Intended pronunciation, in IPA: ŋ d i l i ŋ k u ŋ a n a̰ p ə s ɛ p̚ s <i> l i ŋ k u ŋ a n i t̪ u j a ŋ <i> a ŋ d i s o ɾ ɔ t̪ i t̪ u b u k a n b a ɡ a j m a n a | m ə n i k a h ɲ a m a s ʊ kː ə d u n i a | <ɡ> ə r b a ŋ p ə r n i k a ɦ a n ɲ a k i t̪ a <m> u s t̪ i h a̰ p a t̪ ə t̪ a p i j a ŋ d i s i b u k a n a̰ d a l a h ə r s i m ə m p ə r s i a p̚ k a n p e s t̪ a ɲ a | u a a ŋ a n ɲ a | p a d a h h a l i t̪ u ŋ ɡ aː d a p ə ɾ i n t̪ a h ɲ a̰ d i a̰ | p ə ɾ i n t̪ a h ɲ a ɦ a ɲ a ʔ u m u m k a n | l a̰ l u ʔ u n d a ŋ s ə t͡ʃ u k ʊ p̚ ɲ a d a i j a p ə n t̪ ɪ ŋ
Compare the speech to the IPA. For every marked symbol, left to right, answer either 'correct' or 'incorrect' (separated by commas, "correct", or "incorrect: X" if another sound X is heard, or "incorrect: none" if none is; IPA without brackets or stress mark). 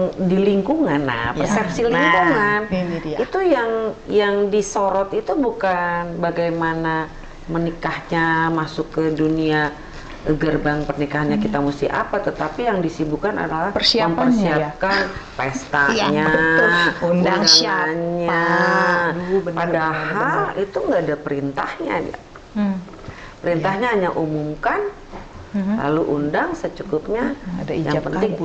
correct, incorrect: j, correct, correct